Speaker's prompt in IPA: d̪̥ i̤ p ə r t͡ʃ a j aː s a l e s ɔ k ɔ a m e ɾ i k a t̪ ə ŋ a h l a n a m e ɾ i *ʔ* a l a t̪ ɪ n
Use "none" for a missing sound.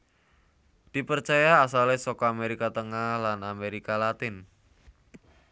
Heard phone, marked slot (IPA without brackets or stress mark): k